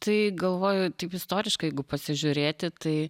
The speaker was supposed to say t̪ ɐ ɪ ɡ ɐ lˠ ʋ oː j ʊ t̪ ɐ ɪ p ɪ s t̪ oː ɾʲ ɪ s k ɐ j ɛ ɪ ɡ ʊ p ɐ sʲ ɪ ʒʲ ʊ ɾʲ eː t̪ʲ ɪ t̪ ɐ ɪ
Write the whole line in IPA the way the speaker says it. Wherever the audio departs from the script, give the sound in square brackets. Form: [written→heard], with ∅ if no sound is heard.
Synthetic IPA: t̪ ɐ ɪ ɡ ɐ lˠ ʋ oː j ʊ t̪ ɐ ɪ p ɪ s t̪ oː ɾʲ ɪ [s→ʃ] k ɐ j ɛ ɪ ɡ ʊ p ɐ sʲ ɪ ʒʲ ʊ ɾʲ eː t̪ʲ ɪ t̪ ɐ ɪ